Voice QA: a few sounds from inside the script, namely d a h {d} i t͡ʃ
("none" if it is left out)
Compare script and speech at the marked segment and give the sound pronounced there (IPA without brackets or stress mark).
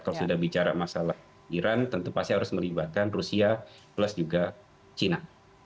b